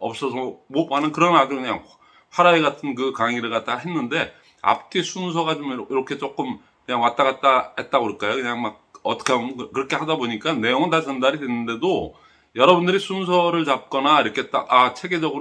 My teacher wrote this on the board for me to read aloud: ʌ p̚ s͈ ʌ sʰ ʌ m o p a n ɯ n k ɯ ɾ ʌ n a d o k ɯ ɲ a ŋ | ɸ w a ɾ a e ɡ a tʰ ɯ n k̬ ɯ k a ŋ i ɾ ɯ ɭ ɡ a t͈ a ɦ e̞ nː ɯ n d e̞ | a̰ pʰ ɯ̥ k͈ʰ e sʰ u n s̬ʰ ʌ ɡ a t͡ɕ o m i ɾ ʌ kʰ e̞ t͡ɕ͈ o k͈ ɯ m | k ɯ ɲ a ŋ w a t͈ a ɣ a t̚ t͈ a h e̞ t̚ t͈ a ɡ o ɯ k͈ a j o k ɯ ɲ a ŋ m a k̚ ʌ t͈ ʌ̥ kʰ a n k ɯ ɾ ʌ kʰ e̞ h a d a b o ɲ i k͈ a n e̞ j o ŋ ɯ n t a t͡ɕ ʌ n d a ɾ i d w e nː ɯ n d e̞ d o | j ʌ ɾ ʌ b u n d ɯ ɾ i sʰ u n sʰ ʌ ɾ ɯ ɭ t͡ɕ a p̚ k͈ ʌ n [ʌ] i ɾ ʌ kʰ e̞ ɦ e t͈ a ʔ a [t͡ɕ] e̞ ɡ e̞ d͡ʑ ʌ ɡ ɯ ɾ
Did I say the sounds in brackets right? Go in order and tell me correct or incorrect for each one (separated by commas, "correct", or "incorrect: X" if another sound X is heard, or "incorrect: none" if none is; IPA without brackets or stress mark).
incorrect: a, incorrect: t͡ɕʰ